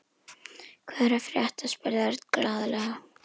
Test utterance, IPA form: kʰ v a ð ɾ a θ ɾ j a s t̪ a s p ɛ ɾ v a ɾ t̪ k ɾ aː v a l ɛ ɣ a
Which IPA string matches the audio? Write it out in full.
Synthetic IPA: kʰ v ɛ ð ɾ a f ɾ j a h t̪ a s p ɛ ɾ ð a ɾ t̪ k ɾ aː ð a l ɛ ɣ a